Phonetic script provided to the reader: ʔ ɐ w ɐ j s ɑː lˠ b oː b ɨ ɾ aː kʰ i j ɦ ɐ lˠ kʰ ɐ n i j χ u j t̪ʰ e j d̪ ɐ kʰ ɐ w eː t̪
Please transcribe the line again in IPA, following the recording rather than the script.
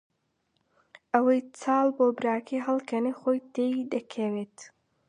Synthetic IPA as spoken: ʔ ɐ w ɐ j t͡s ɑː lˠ b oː b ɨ ɾ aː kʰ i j ɦ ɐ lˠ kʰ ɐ n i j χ o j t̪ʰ e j d̪ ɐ kʰ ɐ w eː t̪